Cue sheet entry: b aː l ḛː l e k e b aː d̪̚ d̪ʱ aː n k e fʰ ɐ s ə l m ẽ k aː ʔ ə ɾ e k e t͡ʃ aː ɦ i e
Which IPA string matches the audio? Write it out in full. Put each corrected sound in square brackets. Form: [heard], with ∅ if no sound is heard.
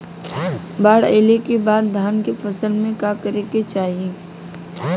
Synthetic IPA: b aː [ɽ] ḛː l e k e b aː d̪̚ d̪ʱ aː n k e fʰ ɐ s ə l m ẽ k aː [k] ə ɾ e k e t͡ʃ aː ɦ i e